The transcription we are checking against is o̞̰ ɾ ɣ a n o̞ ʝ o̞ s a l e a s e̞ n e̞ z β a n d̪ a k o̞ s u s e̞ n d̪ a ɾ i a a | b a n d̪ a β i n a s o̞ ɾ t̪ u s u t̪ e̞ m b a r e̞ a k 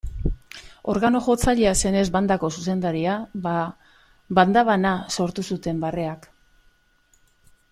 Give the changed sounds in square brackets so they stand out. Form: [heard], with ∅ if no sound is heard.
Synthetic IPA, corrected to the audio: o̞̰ ɾ ɣ a n o̞ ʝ o̞ [t͡s] a [ʎ] e a s e̞ n e̞ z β a n d̪ a k o̞ s u s e̞ n d̪ a ɾ i a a | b a n d̪ a β [a] n a s o̞ ɾ t̪ u s u t̪ e̞ m b a r e̞ a k